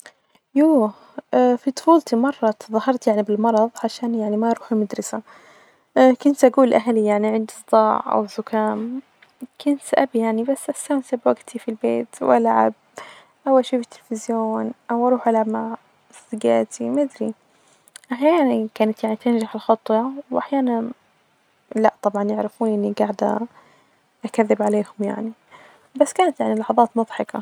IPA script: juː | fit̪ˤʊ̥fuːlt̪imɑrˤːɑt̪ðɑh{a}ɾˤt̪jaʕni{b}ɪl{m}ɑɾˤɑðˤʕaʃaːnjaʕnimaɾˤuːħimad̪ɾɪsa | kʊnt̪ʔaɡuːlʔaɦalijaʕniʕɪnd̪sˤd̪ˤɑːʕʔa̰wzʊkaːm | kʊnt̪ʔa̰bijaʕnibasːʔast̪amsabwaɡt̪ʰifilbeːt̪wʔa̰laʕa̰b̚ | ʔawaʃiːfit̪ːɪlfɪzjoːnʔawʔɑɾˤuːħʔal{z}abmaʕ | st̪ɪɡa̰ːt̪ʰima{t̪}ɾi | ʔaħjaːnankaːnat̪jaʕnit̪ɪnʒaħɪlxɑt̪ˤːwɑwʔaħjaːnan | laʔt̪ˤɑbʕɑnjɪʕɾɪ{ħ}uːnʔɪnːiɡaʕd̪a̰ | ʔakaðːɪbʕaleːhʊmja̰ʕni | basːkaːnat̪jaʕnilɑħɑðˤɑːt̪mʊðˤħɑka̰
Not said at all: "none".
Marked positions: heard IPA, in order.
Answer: ɑ, b, m, ʕ, d̪, f

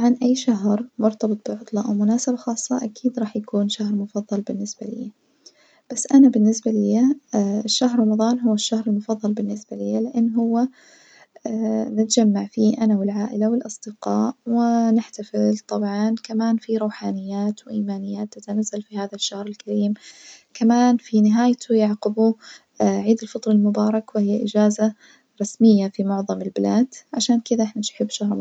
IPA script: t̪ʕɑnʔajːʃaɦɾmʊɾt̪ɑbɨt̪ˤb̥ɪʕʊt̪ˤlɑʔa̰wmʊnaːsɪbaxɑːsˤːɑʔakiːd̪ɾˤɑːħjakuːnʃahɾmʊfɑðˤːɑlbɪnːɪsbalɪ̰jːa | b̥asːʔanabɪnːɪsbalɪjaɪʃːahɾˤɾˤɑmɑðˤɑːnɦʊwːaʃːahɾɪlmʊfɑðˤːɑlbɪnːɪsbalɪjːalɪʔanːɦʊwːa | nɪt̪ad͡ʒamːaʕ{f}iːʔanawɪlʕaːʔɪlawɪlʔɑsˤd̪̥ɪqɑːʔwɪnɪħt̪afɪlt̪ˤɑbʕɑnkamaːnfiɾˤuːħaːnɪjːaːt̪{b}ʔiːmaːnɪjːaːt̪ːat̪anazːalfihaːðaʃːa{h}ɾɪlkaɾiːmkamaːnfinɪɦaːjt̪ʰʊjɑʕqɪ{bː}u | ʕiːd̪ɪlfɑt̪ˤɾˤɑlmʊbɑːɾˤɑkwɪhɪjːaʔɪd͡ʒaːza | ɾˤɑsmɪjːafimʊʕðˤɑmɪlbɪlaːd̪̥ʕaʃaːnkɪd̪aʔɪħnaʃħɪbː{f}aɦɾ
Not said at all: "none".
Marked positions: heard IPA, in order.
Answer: f, w, h, b, ʃ

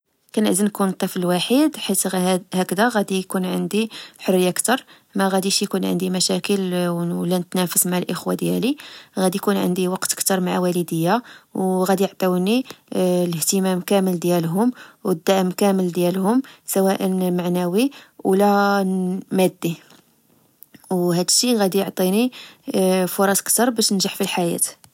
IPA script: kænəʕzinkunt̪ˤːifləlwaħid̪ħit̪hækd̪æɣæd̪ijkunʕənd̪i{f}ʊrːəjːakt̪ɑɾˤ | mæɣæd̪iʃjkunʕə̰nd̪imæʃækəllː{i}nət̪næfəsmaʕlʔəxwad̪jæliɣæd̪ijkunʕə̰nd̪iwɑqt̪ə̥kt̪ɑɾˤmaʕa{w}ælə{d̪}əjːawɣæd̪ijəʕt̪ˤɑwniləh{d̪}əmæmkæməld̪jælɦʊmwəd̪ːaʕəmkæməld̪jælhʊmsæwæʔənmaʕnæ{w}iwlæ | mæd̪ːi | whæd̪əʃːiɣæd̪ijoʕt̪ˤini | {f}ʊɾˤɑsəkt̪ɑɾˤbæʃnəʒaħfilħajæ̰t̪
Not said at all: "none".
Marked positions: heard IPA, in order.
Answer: ħ, æ, w, d̪, t̪, w, f

